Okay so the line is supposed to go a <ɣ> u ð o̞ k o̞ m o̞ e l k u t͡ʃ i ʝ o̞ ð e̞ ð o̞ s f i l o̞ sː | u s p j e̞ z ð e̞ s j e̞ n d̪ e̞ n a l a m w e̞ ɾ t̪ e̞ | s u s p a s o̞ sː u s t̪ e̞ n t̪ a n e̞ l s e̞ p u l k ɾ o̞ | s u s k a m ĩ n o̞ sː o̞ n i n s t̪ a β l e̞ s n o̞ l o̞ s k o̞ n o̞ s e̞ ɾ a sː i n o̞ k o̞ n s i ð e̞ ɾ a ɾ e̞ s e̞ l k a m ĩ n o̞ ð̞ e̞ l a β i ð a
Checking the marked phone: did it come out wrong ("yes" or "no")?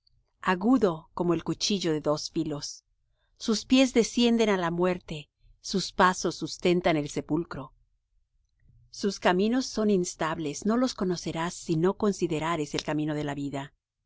no